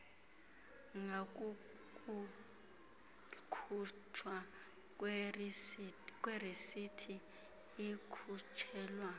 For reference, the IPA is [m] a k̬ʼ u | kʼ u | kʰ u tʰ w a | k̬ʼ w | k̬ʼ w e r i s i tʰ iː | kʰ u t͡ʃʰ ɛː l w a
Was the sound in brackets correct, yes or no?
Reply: no